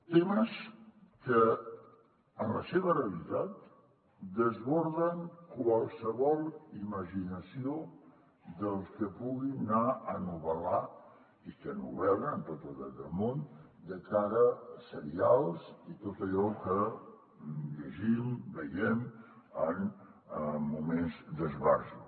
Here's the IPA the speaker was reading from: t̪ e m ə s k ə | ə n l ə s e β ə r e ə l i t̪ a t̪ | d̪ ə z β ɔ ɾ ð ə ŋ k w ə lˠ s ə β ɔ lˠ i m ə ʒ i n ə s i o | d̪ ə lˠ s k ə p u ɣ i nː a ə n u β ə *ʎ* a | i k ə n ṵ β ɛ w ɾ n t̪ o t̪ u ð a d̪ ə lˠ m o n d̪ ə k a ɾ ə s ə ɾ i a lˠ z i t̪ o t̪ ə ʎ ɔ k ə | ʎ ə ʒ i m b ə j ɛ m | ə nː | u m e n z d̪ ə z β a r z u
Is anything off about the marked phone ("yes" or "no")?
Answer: yes